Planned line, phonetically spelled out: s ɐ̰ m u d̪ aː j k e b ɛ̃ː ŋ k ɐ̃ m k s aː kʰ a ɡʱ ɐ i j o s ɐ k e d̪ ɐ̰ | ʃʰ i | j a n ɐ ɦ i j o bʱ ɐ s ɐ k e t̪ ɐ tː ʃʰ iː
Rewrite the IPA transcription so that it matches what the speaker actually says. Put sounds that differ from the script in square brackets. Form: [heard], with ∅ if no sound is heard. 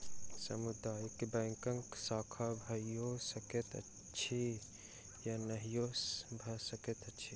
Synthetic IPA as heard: s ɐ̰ m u d̪ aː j k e b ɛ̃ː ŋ k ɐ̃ [ŋ] k s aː kʰ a [bʱ] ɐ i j o s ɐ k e [t̪] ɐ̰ | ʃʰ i | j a n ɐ ɦ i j o bʱ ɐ s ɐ k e t̪ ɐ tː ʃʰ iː

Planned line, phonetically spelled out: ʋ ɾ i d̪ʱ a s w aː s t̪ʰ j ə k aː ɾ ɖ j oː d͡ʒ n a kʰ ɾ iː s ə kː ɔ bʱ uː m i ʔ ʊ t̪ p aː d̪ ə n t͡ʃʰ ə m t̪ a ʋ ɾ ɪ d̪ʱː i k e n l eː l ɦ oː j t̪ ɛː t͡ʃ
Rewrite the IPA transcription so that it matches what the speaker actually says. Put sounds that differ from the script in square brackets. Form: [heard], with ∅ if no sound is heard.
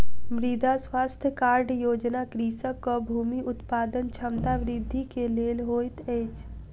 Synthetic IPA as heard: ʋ ɾ i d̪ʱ a s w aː s t̪ʰ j ə k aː ɾ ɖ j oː d͡ʒ n a [k] ɾ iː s ə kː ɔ bʱ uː m i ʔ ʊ t̪ p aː d̪ ə n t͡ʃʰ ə m t̪ a ʋ ɾ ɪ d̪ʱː i k e [∅] l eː l ɦ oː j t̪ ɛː t͡ʃ

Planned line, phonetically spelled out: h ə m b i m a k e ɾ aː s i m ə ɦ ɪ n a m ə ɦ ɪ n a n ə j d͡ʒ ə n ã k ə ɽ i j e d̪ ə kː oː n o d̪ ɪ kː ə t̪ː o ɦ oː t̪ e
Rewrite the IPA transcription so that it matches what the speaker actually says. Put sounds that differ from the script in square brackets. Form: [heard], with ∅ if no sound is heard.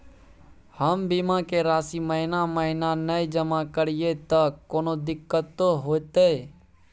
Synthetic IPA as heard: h ə m b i m a k e ɾ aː s i m ə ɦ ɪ n a m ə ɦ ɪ n a n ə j d͡ʒ ə [m] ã k ə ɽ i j e [t̪] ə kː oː n o d̪ ɪ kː ə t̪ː o ɦ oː t̪ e

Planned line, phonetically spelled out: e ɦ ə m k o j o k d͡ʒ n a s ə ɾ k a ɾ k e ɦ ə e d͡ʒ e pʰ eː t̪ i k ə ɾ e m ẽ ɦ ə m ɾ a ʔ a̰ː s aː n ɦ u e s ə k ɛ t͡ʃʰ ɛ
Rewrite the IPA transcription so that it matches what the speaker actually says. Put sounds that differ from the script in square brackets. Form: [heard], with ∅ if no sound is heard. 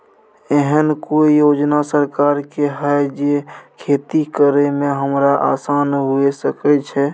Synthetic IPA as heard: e ɦ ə [n] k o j o [∅] d͡ʒ n a s ə ɾ k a ɾ k e ɦ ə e d͡ʒ e [kʰ] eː t̪ i k ə ɾ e m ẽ ɦ ə m ɾ a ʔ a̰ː s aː n ɦ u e s ə k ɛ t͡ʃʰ ɛ

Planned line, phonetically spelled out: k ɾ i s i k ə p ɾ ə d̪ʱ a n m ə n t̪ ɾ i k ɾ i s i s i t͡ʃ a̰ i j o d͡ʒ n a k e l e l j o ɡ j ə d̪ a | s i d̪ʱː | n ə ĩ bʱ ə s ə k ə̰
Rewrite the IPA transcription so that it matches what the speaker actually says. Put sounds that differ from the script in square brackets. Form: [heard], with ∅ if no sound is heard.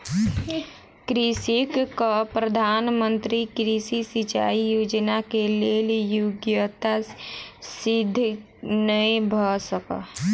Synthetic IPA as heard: k ɾ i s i k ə p ɾ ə d̪ʱ a n m ə n t̪ ɾ i k ɾ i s i s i t͡ʃ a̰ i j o d͡ʒ n a k e l e l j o ɡ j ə [t̪] a | s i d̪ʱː | n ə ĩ bʱ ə s ə k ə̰

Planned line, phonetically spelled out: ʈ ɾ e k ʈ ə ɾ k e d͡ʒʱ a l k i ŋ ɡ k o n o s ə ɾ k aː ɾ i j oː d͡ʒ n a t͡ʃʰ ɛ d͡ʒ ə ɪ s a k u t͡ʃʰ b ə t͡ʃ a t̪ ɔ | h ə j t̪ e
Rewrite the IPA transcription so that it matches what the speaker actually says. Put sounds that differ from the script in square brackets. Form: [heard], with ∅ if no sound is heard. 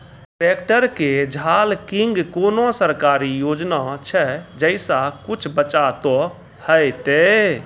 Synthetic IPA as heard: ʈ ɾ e k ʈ ə ɾ k e d͡ʒʱ a l k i ŋ ɡ k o n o s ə ɾ k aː ɾ i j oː d͡ʒ n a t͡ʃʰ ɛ d͡ʒ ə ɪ s a k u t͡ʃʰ b ə t͡ʃ a t̪ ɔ | h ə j t̪ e

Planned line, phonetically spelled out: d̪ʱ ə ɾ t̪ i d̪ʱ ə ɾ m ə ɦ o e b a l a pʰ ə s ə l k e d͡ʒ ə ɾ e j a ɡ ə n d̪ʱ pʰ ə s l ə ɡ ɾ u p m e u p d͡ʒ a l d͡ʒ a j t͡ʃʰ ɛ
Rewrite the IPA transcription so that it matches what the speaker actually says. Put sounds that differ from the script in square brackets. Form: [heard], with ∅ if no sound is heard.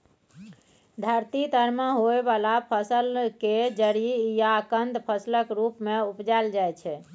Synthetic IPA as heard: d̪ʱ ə ɾ t̪ i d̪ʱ ə ɾ m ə ɦ o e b a l a pʰ ə s ə l k e d͡ʒ ə ɾ [i] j a [k] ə n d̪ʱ pʰ ə s l ə [k] ɾ u p m e u p d͡ʒ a l d͡ʒ a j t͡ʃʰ ɛ

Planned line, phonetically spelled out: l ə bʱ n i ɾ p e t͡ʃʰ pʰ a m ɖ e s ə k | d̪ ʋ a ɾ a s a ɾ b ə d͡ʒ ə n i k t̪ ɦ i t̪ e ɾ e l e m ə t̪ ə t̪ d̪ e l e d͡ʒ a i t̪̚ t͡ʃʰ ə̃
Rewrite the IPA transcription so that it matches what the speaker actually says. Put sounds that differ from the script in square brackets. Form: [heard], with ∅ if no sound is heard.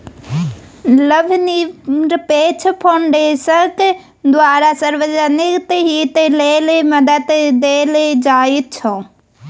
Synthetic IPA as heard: l ə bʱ n i ɾ p e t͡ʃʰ pʰ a [ɳ] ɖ e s ə k | d̪ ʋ a ɾ a s [ə] ɾ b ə d͡ʒ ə n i k t̪ ɦ i t̪ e [l] e l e m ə [d̪] ə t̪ d̪ e l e d͡ʒ a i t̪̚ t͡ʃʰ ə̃

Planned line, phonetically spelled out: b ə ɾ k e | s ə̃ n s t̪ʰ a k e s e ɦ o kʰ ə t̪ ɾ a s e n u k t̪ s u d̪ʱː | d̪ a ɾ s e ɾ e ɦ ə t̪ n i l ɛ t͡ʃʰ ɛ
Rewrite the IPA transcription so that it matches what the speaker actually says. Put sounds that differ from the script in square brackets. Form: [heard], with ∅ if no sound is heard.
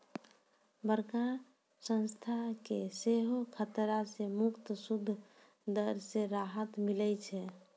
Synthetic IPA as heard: b ə ɾ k [a] | s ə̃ n s t̪ʰ a k e s e ɦ o kʰ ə t̪ ɾ a s e [m] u k t̪ s u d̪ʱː | d̪ [ə] ɾ s e ɾ [a] ɦ ə t̪ [m] i l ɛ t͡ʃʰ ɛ

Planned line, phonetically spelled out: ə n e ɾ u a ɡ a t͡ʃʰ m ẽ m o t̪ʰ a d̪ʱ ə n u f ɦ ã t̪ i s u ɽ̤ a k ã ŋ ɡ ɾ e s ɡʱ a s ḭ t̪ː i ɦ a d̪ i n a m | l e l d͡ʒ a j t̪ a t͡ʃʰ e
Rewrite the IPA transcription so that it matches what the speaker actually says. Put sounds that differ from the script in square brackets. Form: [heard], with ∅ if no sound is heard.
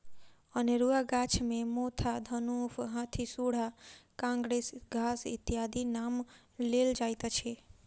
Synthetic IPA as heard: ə n e ɾ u a ɡ a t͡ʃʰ m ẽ m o t̪ʰ a d̪ʱ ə n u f ɦ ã [t̪ʰ] i s u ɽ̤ a k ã ŋ ɡ ɾ e s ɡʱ a s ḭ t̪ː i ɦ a d̪ i n a m | l e l d͡ʒ a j t̪ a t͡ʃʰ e

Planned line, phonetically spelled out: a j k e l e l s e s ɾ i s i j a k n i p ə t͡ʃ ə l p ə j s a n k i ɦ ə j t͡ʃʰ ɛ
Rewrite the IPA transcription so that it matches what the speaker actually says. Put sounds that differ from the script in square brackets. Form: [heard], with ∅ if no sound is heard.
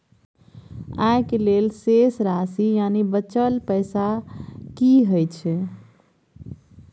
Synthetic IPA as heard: a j k e l e l s e s ɾ [a] s i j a [∅] n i [b] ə t͡ʃ ə l p ə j s a [∅] k i ɦ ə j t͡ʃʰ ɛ

